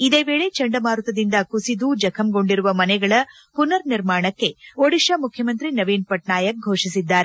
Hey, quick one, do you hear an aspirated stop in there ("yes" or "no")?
yes